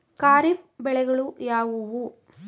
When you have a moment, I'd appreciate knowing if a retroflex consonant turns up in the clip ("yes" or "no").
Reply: yes